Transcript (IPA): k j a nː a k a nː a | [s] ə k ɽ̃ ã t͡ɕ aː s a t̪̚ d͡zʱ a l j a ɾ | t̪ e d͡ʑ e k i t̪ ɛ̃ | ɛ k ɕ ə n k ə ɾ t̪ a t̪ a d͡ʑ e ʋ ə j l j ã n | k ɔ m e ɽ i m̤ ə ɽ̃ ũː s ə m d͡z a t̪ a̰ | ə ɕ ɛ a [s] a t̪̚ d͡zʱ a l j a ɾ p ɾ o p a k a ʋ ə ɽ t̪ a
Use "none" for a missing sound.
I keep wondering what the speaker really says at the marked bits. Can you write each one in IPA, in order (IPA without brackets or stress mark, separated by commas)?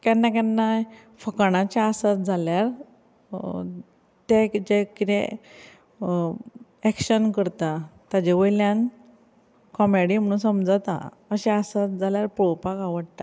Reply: f, s